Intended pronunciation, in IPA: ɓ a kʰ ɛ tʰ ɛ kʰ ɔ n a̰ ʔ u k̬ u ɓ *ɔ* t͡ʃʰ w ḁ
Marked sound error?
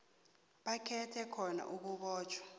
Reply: yes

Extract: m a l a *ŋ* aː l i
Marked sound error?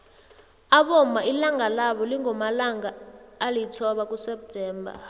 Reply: no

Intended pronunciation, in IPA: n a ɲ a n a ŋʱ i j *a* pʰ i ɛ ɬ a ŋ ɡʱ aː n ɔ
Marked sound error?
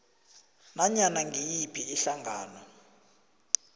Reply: yes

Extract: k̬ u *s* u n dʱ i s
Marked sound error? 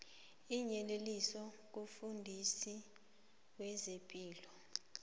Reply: yes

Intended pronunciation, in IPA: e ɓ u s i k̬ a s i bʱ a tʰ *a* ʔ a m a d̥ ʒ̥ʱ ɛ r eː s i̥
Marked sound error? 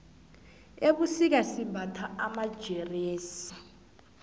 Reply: no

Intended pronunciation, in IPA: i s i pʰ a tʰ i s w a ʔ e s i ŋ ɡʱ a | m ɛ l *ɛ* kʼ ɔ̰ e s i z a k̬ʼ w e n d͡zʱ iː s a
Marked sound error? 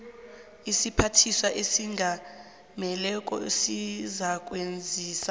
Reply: no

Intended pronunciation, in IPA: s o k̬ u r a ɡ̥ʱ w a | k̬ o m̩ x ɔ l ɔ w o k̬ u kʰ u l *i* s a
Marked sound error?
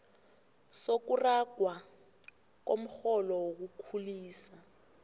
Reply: yes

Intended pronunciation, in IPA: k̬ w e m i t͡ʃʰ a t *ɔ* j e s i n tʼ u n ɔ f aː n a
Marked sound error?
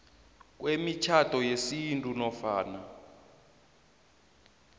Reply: no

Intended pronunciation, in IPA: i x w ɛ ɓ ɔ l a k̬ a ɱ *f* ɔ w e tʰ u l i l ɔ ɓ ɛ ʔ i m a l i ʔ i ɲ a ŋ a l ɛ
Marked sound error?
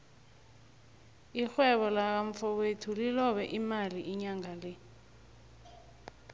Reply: no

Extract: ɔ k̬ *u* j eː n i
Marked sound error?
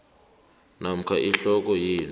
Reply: yes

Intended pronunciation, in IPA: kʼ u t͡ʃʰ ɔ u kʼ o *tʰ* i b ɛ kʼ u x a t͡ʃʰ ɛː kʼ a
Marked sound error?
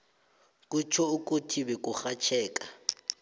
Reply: no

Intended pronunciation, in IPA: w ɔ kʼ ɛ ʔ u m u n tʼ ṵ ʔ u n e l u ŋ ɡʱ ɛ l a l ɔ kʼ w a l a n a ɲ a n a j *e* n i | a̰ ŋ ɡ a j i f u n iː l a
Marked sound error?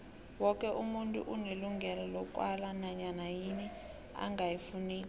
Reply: yes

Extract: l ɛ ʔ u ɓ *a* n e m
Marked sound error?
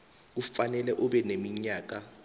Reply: yes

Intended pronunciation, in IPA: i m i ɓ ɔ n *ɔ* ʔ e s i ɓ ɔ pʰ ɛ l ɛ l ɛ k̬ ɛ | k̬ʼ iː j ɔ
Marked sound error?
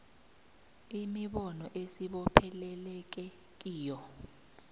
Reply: no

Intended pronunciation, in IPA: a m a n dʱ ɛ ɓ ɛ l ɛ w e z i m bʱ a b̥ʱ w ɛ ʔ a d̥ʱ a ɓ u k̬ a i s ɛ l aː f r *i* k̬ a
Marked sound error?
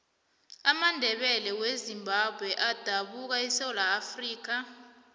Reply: yes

